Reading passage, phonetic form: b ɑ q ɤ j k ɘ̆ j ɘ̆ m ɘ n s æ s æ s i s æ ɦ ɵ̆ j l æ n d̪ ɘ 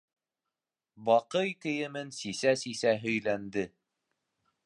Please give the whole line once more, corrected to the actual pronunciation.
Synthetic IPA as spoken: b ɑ q ɤ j k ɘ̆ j ɘ̆ m ɘ n s i s æ s i s æ ɦ ɵ̆ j l æ n d̪ ɘ